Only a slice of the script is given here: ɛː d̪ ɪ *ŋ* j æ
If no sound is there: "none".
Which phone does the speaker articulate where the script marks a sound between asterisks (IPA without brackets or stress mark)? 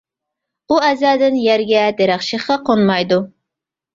n